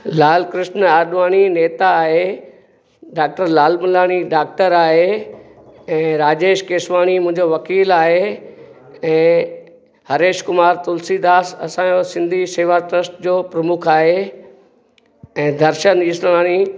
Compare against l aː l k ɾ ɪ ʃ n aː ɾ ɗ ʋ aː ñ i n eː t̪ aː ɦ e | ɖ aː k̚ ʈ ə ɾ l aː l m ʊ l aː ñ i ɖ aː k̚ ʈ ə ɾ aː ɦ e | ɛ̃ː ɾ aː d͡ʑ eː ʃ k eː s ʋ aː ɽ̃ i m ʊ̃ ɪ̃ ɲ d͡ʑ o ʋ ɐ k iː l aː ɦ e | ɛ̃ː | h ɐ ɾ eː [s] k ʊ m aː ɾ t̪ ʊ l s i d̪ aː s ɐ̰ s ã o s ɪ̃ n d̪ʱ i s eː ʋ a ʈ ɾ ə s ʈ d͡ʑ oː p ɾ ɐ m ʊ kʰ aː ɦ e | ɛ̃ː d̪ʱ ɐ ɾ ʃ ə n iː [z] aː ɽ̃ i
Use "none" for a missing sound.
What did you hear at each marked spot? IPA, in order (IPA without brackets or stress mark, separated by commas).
ʃ, s